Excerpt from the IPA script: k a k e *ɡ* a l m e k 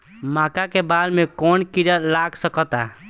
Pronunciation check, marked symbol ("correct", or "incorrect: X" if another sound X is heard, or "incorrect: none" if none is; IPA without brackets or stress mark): incorrect: b